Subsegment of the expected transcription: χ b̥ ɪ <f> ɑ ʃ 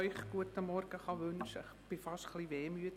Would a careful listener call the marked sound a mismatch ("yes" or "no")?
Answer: no